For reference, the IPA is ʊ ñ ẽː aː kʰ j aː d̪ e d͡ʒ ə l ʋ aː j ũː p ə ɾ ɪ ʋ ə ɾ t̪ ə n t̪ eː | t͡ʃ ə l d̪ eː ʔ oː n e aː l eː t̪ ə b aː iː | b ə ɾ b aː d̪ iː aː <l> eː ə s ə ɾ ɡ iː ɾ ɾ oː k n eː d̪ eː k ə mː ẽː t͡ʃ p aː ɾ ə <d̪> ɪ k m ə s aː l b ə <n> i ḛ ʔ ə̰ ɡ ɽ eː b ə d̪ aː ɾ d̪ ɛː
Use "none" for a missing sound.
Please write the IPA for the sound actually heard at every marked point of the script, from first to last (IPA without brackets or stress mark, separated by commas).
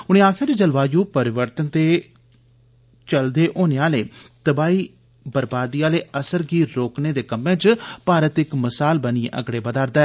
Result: l, t̪, n